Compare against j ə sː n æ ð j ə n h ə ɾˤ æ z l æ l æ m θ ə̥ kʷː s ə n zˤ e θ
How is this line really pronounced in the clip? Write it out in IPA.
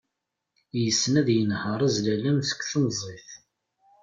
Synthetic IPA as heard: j ə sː n æ ð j ə n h ə ɾˤ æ z l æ l æ m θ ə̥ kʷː θ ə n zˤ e θ